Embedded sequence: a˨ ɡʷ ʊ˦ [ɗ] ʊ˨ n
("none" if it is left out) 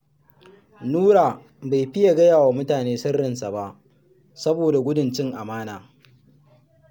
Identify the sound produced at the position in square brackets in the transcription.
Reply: d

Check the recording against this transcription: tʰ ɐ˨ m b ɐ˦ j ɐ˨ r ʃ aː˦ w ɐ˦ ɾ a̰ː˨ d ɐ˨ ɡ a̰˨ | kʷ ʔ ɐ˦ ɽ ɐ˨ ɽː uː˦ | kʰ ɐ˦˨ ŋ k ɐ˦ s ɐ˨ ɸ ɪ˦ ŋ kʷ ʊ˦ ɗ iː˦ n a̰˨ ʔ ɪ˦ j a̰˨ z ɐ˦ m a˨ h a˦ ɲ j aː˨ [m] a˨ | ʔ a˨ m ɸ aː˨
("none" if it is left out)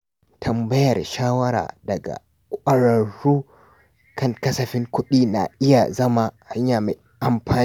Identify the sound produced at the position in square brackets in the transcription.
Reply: m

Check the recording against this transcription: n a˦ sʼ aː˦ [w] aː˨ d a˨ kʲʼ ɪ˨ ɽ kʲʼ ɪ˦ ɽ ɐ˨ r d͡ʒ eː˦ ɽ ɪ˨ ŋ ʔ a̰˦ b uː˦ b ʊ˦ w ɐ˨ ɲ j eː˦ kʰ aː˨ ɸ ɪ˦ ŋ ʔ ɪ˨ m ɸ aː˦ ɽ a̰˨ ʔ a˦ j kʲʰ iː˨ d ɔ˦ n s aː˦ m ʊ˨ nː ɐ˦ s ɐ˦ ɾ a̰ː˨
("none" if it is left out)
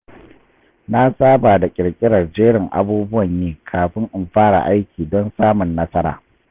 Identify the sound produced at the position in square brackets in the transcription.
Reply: b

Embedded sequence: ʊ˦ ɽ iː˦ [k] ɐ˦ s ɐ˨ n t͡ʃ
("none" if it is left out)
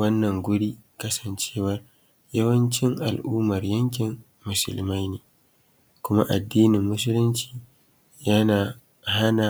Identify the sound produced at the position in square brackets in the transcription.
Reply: k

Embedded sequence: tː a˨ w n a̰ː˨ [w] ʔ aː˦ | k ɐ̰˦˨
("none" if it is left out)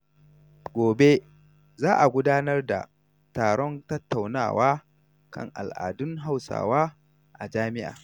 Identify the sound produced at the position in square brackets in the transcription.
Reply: w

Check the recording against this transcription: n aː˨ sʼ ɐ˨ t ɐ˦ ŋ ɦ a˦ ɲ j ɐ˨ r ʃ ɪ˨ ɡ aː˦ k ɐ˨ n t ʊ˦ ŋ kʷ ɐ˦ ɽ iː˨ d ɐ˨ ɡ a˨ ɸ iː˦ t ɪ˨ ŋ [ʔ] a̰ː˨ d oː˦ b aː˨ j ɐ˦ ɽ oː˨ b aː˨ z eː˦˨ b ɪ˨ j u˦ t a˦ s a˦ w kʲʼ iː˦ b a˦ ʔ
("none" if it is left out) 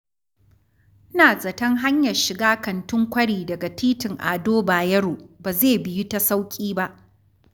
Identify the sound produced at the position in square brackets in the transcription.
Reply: ʔ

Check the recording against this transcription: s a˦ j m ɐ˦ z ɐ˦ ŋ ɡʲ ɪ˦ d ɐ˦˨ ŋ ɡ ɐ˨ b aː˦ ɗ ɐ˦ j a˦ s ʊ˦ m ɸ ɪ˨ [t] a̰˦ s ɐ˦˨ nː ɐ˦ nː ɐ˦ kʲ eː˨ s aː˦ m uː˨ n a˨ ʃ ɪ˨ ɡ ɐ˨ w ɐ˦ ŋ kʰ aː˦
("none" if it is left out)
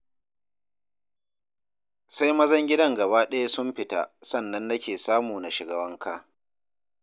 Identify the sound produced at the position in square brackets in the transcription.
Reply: t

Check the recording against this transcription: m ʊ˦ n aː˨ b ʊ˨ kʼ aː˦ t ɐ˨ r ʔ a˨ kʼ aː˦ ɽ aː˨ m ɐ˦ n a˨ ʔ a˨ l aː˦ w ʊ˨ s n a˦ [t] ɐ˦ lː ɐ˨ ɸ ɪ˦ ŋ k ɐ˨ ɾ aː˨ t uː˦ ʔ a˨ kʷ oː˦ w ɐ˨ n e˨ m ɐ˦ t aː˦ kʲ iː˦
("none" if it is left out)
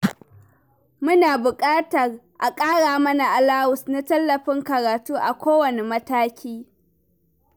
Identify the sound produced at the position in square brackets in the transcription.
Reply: t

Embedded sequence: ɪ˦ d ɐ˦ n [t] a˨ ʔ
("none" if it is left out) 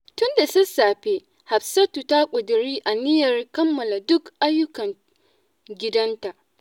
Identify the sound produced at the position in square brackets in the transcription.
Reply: t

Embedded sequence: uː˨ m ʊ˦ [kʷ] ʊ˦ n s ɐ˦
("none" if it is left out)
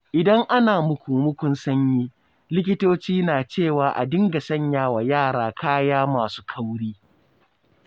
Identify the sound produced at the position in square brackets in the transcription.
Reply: kʷ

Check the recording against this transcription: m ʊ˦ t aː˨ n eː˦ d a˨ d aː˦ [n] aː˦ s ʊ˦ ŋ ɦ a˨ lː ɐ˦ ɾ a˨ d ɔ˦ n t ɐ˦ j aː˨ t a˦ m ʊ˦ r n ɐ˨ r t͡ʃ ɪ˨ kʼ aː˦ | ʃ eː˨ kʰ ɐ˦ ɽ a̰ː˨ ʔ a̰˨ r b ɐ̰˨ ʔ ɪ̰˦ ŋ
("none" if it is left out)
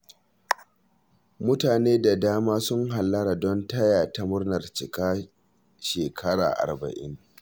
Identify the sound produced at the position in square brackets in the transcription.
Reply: m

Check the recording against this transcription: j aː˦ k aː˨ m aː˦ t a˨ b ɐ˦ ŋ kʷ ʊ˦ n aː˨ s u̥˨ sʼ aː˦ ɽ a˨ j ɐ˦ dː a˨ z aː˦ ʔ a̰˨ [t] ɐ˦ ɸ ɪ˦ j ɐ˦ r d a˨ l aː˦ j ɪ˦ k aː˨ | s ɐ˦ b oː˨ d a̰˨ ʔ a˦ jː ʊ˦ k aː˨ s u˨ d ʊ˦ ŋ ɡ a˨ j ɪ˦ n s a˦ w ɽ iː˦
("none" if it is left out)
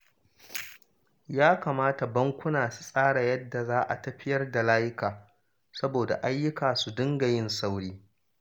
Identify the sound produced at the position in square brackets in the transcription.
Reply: t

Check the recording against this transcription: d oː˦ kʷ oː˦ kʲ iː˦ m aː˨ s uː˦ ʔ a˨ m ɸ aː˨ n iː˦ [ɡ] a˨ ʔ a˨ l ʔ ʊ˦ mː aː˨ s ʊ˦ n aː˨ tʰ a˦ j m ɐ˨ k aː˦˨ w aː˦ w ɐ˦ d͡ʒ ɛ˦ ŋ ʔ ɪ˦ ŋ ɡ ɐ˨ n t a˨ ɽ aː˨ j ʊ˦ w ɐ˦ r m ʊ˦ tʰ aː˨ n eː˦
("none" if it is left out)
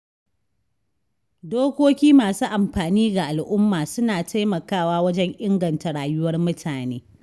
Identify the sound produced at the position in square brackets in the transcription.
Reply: ɡ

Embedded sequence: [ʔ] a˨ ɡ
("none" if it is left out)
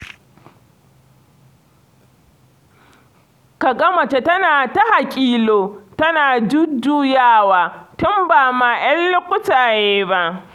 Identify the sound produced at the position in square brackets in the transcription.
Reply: k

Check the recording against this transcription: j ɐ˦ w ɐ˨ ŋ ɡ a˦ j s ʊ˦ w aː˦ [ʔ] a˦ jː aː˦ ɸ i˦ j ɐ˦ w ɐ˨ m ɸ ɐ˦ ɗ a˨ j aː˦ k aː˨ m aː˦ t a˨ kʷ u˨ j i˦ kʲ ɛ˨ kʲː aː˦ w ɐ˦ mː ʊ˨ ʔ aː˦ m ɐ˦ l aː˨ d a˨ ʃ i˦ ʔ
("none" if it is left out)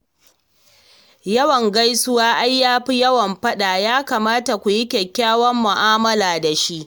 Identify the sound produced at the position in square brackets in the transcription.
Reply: ʔ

